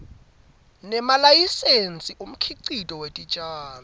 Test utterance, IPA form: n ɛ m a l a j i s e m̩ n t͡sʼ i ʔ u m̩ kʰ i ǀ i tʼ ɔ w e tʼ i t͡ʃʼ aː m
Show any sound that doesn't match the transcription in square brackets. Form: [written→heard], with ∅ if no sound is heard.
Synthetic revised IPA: n ɛ m a l a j i s e [m̩→∅] n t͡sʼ i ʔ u m̩ kʰ i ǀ i tʼ ɔ w e tʼ i t͡ʃʼ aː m